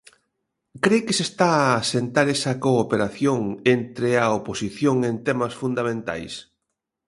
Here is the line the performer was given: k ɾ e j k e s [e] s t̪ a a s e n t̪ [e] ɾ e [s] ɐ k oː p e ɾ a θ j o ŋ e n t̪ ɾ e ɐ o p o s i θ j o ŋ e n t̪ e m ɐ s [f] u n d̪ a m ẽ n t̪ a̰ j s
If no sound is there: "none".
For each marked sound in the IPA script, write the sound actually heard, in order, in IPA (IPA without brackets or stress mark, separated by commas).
e, a, s, f